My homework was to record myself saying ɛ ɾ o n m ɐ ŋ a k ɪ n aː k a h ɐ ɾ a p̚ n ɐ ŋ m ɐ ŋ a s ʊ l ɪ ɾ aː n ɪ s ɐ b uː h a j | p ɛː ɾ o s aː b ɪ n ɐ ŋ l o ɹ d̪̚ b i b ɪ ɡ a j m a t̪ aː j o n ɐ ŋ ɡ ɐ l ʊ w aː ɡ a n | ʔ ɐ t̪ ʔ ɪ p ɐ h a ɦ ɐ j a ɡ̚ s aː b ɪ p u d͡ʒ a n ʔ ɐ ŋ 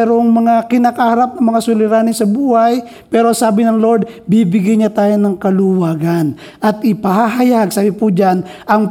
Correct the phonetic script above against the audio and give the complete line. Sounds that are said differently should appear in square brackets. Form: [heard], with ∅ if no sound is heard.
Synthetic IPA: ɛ ɾ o [ŋ] m ɐ ŋ a k ɪ n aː k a h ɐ ɾ a p̚ n ɐ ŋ m ɐ ŋ a s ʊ l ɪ ɾ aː n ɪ s ɐ b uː h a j | p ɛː ɾ o s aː b ɪ n ɐ ŋ l o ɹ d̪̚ b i b ɪ ɡ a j [ɲ] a t̪ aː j o n ɐ ŋ [k] ɐ l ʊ w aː ɡ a n | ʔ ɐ t̪ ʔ ɪ p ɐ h a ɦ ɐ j a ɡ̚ s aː b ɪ p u d͡ʒ a n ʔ ɐ ŋ